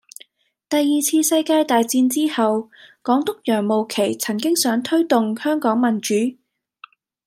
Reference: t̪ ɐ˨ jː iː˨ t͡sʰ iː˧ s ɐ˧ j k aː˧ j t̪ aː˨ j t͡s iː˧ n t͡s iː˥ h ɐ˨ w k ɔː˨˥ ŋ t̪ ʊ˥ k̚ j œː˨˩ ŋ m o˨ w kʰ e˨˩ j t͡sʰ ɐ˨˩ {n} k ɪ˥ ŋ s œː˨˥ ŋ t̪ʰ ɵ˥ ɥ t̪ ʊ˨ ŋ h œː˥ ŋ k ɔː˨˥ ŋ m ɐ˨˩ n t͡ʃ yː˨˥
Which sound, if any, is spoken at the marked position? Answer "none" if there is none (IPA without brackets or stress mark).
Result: ŋ